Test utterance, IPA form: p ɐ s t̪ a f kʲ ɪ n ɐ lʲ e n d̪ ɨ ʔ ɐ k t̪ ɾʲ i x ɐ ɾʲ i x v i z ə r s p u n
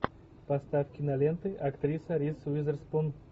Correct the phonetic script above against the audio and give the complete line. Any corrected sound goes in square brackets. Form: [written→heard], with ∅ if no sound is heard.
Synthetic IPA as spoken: p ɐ s t̪ a f kʲ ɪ n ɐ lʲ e n [d̪→t̪] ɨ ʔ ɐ k t̪ ɾʲ i [x→s] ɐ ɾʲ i [x→s] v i z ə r s p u n